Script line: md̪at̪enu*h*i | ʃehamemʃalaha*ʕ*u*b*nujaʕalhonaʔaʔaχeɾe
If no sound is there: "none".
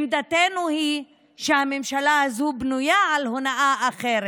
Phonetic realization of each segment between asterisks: h, z, b

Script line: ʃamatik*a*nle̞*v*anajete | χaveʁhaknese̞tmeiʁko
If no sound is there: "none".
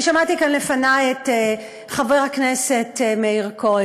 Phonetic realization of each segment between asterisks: a, f

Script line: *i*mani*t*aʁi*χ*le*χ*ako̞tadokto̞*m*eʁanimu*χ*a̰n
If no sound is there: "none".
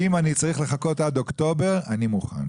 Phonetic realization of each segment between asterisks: i, t͡s, χ, χ, b, χ

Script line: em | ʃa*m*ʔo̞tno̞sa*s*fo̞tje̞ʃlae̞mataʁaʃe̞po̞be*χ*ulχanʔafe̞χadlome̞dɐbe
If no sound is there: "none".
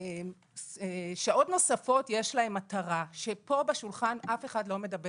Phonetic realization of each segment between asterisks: none, none, ʃ

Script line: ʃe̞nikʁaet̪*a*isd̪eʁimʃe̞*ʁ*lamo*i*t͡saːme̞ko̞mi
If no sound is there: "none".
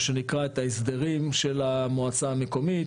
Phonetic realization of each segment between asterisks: a, none, a

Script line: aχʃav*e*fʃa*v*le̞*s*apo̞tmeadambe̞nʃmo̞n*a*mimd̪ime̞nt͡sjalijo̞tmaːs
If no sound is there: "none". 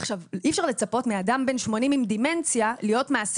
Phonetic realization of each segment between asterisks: i, ʁ, t͡s, i

